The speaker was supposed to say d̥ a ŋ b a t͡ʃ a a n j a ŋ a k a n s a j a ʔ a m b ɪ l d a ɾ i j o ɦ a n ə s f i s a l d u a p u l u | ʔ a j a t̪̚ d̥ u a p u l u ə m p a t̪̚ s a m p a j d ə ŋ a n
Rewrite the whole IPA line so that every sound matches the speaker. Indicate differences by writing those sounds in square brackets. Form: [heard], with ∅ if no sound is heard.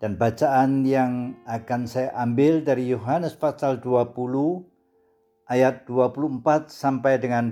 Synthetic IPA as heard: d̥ a [n] b a t͡ʃ a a n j a ŋ a k a n s a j a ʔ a m b ɪ l d a ɾ i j o ɦ a n ə s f [a] s a l d u a p u l u | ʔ a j a t̪̚ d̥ u a p u l u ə m p a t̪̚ s a m p a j d ə ŋ a n